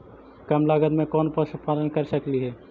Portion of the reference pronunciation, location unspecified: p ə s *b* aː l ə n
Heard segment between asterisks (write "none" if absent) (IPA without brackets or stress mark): p